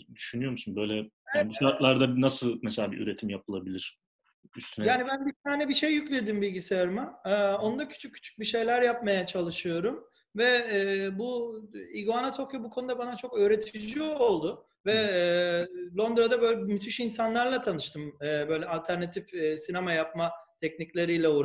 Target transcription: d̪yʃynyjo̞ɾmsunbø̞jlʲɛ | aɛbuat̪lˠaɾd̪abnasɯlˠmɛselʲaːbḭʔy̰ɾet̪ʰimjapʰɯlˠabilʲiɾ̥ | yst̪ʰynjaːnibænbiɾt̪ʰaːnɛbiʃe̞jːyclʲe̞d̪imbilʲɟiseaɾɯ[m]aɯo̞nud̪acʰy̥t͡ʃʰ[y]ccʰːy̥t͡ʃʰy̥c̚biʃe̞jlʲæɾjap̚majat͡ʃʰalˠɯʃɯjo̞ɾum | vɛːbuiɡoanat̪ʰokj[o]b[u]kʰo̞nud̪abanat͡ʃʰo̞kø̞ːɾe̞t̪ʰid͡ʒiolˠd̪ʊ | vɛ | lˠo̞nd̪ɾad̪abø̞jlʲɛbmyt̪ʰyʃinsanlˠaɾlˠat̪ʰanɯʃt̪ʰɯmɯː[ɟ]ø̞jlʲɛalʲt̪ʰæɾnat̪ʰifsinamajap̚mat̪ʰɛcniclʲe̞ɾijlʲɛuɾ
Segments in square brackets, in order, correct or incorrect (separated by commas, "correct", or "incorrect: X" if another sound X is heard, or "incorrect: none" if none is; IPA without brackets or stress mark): correct, correct, correct, correct, incorrect: b